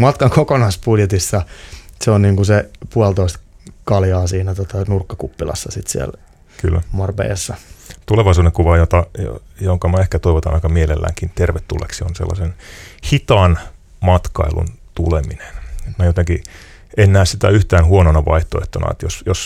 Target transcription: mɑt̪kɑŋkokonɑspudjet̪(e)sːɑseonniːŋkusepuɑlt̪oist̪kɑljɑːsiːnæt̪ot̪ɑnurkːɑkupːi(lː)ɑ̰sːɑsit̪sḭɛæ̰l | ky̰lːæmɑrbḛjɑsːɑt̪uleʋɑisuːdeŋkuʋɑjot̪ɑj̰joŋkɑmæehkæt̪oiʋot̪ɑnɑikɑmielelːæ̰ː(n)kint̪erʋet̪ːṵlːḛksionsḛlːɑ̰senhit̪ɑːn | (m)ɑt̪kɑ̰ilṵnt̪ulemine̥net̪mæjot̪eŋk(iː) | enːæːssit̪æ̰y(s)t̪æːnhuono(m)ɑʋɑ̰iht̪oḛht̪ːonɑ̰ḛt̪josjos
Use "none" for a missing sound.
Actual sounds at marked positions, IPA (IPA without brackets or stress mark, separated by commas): i, l, ŋ, m, i, h, n